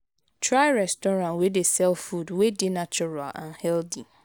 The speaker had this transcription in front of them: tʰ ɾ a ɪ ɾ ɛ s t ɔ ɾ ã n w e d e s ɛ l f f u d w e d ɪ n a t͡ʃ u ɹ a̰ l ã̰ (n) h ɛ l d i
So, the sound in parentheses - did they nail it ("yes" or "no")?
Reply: yes